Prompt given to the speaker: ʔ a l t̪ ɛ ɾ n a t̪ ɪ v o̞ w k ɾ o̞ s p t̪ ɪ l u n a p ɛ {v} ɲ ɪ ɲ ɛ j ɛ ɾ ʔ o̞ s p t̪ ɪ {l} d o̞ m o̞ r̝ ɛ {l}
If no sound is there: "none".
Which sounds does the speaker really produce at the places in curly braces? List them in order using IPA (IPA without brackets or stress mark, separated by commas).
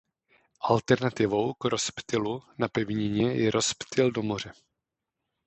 v, l, none